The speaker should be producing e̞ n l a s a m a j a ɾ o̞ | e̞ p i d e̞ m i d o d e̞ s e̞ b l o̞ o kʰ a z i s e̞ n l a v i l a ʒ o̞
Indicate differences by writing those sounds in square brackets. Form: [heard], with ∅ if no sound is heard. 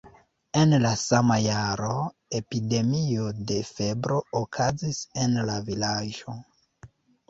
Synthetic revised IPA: e̞ n l a s a m a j a ɾ o̞ | e̞ p i d e̞ m i [∅] o d e̞ [f] e̞ b [ɾ] o̞ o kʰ a z i s e̞ n l a v i l a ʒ o̞

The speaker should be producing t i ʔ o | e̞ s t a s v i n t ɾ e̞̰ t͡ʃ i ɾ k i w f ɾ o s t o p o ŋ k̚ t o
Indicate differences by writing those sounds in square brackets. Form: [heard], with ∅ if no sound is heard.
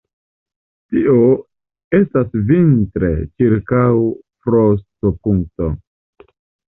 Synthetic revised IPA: t i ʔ o | e̞ s t a s v i n t ɾ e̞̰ t͡ʃ i ɾ k [a] w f ɾ o s t o p [u] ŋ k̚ t o

